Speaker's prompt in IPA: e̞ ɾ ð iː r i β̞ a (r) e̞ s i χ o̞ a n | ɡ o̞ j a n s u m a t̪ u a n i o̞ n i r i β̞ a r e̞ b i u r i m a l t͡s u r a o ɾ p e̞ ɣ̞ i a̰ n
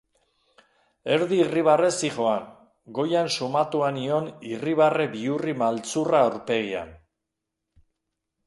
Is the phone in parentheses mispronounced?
no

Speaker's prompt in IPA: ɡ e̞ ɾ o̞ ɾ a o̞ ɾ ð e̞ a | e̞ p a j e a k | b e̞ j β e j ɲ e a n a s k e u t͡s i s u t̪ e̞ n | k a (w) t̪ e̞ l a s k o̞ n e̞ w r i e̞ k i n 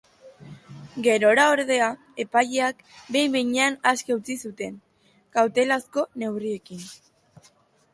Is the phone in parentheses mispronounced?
no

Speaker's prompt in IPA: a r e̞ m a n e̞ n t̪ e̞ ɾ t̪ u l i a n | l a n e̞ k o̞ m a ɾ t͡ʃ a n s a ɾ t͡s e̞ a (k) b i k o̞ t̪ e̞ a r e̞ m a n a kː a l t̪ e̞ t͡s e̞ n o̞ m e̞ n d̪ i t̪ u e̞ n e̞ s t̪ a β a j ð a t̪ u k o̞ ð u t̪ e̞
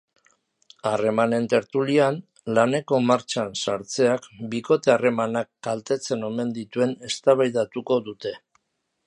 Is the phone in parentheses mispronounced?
no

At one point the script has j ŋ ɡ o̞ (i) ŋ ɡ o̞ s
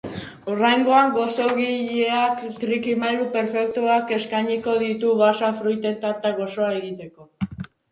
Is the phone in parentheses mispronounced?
yes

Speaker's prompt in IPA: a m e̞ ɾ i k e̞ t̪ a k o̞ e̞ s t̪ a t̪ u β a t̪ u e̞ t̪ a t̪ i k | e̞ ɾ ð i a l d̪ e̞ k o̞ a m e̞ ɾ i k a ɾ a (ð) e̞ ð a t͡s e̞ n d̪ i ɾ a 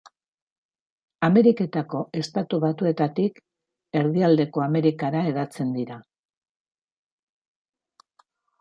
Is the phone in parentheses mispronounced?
yes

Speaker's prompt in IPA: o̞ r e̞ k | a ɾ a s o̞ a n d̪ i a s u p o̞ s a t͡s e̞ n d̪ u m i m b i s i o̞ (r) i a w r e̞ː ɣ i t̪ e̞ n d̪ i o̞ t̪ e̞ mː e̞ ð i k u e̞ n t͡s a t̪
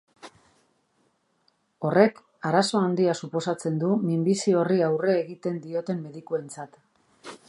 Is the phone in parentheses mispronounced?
no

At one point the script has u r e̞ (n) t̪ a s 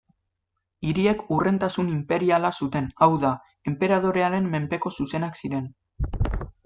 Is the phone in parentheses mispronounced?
no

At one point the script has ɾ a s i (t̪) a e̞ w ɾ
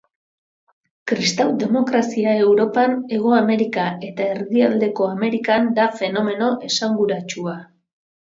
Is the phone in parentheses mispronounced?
yes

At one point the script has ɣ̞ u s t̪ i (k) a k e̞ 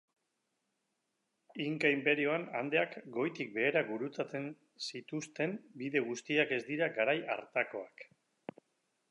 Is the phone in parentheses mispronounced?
yes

